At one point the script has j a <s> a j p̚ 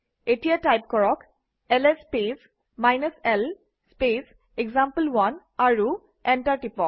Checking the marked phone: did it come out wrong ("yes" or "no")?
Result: yes